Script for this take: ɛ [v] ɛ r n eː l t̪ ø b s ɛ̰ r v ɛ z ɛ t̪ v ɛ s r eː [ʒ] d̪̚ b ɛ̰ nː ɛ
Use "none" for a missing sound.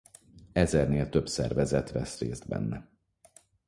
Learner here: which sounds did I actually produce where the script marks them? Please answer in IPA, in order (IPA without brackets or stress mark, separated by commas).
z, z